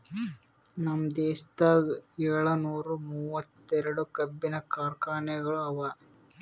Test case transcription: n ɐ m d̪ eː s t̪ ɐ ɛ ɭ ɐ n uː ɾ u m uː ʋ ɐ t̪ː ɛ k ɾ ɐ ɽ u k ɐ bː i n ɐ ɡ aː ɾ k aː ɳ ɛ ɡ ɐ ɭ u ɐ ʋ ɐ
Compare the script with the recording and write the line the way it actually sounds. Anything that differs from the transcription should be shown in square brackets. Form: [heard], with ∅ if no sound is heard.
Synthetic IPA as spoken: n ɐ m d̪ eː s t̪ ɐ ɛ ɭ ɐ n uː ɾ u m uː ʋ ɐ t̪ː ɛ [∅] ɾ ɐ ɽ u k ɐ bː i n ɐ [k] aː ɾ k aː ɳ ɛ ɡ ɐ ɭ u ɐ ʋ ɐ